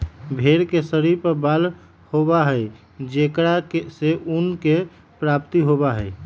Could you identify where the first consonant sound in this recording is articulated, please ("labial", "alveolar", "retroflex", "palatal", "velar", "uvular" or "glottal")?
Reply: labial